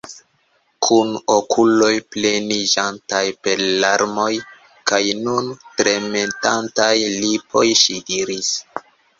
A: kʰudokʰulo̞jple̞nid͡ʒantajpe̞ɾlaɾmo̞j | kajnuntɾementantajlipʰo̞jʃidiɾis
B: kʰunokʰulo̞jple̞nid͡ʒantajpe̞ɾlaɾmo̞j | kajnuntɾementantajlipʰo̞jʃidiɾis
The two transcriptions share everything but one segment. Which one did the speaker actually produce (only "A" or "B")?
B